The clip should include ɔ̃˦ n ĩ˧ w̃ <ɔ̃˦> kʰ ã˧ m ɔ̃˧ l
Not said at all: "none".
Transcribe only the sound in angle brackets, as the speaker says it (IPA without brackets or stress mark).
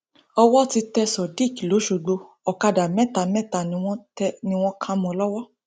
ɔ̃˦